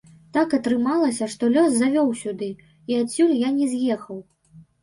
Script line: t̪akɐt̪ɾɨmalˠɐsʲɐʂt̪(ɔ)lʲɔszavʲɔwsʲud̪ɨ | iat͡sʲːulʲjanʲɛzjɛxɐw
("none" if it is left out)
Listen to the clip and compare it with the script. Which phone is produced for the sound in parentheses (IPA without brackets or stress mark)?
ɔ